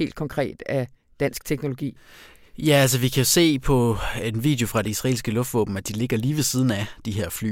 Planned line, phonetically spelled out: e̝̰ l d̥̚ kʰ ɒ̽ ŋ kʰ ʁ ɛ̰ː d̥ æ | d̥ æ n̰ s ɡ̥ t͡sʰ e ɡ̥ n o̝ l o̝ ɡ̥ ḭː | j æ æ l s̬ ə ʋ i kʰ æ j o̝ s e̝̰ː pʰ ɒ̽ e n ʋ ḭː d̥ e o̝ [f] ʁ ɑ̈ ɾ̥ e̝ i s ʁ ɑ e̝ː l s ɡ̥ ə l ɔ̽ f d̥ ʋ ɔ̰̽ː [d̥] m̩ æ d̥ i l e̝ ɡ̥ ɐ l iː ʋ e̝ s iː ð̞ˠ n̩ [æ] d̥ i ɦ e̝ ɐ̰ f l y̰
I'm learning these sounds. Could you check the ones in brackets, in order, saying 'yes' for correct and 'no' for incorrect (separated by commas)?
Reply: yes, no, yes